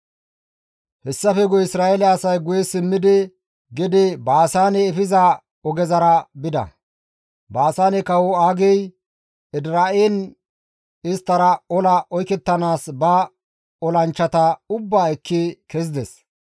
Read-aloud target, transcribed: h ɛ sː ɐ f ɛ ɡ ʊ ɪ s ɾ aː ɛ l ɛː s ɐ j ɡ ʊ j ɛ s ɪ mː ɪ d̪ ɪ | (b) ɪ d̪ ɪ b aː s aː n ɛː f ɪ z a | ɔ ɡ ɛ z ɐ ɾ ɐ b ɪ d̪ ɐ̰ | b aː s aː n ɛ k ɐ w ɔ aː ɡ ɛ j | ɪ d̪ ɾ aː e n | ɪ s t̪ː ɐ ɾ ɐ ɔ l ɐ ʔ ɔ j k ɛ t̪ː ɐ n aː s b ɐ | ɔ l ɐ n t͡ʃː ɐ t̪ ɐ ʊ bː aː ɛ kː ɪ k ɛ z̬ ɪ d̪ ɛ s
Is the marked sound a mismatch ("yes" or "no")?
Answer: yes